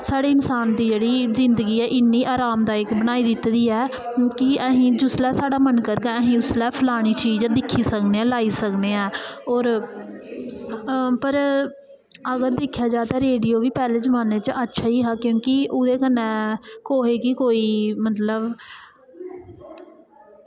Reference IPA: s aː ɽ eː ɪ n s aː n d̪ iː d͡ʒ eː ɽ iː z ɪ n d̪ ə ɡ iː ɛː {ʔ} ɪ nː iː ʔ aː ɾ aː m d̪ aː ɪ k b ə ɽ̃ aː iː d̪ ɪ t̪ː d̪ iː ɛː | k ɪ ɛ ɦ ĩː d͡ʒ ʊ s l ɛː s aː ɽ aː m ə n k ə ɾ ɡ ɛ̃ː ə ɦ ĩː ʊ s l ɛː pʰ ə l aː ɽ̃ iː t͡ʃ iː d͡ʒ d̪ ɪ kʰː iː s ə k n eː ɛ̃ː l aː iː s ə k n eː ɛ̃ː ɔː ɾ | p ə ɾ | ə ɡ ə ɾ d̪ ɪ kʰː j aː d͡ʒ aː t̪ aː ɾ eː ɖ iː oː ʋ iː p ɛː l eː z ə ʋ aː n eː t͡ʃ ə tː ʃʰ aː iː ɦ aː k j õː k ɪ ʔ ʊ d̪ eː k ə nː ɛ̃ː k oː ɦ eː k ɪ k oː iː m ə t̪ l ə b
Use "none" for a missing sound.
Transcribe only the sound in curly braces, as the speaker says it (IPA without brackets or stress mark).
ʔ